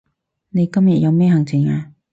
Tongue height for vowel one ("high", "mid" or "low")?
mid